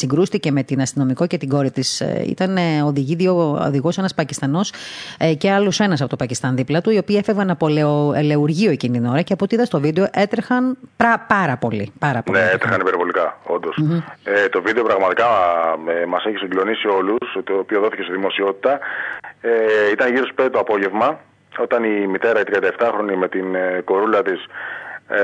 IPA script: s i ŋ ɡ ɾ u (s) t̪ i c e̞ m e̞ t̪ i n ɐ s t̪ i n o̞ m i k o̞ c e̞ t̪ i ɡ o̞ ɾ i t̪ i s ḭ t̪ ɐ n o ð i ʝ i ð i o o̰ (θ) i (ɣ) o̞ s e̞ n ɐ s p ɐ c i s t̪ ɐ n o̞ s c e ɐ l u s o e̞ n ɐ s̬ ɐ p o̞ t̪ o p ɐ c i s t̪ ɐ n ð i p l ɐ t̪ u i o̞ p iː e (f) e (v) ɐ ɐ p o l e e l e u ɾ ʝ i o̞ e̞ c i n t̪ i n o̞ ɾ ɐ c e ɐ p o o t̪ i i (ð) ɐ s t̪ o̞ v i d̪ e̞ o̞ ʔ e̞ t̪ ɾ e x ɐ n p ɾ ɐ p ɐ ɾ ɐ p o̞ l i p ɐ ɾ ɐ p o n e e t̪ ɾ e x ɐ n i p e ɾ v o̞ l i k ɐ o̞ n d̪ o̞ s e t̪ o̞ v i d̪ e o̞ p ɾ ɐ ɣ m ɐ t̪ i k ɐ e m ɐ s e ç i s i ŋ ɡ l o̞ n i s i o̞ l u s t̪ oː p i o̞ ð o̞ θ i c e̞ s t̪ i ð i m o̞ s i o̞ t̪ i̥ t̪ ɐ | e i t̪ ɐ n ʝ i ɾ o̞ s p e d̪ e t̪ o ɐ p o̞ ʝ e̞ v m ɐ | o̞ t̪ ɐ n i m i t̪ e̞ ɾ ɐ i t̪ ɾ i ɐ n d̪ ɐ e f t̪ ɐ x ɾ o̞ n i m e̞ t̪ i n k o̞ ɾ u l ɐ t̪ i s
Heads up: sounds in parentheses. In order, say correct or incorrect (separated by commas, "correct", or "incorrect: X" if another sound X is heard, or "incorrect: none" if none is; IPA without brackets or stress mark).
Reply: correct, incorrect: ð, correct, correct, correct, correct